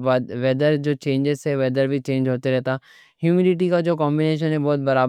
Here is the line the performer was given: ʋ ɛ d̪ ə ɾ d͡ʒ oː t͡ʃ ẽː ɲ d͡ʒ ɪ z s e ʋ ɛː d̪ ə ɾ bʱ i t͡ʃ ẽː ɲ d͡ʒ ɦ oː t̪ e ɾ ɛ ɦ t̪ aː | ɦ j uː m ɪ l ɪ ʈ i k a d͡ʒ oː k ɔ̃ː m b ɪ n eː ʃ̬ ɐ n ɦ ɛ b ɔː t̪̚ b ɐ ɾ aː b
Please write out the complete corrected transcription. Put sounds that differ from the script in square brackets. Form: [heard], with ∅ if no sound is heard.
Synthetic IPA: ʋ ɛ d̪ ə ɾ d͡ʒ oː t͡ʃ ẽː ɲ d͡ʒ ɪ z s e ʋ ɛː d̪ ə ɾ bʱ i t͡ʃ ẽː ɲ d͡ʒ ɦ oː t̪ e ɾ ɛ ɦ t̪ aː | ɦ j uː m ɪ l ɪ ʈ i k a d͡ʒ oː k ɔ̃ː m b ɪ n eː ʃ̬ [ə] n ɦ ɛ b ɔː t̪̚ b ɐ ɾ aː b